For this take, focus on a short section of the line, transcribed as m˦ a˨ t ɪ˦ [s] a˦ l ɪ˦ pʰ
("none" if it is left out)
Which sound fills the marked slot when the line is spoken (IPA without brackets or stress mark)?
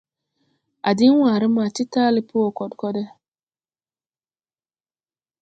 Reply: t